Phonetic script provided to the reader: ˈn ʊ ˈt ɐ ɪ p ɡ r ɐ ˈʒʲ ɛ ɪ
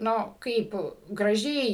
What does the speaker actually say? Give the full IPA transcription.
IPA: ˈn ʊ ˈk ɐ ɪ p ɡ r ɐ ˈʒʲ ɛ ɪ